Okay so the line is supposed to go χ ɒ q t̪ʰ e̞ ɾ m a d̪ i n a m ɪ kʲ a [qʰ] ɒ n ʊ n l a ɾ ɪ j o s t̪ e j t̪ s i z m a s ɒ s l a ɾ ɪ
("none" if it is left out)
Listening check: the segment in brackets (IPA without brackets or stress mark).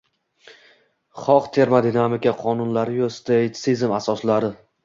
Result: qʰ